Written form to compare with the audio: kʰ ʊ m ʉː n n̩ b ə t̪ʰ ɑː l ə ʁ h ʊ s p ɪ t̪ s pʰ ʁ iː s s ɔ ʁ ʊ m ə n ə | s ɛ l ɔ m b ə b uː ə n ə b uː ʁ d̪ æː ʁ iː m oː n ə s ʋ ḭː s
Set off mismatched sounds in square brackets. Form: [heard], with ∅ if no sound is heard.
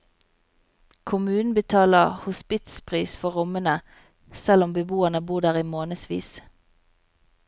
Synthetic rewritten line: kʰ ʊ m ʉː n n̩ b ə t̪ʰ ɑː l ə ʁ h ʊ s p ɪ t̪ s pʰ ʁ iː s [f] ɔ ʁ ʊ m ə n ə | s ɛ l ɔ m b ə b uː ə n ə b uː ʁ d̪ æː ʁ iː m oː n ə s ʋ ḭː s